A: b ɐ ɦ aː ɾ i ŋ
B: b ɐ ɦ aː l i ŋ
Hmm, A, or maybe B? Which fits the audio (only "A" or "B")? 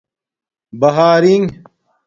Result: A